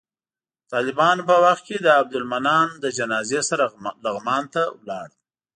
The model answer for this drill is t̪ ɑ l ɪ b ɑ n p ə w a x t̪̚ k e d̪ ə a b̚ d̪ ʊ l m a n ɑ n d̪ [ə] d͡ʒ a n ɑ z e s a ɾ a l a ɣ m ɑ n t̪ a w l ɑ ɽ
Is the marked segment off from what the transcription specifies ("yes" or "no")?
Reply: no